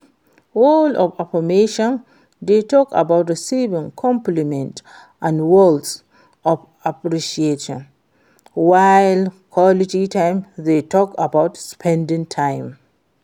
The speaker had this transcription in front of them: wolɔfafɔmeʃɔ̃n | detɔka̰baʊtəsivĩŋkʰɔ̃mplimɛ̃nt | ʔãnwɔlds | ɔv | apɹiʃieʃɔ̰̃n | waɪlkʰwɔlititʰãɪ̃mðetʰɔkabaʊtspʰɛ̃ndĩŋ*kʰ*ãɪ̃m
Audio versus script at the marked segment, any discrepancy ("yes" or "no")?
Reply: yes